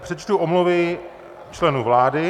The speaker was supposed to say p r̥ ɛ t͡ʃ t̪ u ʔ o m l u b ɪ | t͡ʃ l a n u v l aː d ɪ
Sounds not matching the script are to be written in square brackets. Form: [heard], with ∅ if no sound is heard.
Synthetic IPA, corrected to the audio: p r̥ ɛ t͡ʃ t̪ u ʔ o m l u [v] ɪ | t͡ʃ l [ɛ] n u v l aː d ɪ